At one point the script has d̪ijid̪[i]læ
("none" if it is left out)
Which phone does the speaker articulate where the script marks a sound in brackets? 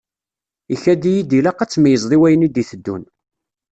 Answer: i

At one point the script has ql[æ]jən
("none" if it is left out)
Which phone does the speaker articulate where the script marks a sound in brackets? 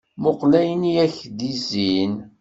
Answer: æ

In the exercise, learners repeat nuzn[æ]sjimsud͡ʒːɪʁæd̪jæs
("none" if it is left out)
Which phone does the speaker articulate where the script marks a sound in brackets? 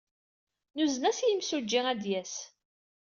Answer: æ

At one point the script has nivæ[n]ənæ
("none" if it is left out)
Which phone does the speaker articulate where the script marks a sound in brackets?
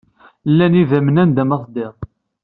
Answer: m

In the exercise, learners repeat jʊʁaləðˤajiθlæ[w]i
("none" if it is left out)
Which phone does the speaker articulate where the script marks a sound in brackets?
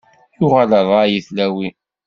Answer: w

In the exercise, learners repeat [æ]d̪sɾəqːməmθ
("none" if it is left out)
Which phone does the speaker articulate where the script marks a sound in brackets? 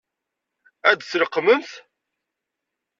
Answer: æ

